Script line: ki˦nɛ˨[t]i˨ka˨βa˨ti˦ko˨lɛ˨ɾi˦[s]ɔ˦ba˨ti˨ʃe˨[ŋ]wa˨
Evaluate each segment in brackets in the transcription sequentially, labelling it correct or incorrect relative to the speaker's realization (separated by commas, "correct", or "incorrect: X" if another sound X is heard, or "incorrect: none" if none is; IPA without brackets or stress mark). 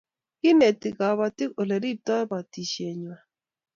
correct, incorrect: t, incorrect: ɲ